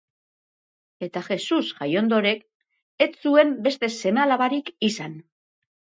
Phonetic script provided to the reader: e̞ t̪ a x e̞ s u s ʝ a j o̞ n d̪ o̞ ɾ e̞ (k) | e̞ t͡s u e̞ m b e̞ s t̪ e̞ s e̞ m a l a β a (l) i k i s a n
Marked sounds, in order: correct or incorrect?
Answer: correct, incorrect: ɾ

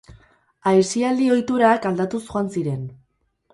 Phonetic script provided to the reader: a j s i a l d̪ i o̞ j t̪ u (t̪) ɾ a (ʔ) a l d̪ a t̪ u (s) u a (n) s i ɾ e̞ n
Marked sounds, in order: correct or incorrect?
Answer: incorrect: none, incorrect: k, correct, correct

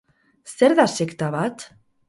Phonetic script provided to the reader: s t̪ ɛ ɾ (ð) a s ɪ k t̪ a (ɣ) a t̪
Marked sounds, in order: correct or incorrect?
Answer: correct, incorrect: v

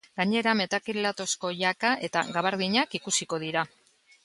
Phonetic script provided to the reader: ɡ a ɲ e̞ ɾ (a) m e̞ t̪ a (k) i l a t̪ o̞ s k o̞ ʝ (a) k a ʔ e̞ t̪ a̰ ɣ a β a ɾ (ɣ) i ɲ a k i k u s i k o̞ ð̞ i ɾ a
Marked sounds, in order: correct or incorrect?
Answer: correct, correct, correct, incorrect: ð

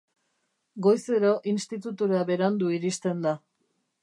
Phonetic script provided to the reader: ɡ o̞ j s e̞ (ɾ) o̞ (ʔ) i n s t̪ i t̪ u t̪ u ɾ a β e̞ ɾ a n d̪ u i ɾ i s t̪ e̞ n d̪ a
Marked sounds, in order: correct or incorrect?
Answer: correct, correct

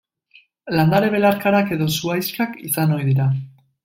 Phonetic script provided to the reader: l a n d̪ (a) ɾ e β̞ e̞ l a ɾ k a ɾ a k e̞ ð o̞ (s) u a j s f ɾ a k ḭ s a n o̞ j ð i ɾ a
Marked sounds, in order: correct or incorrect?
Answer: correct, correct

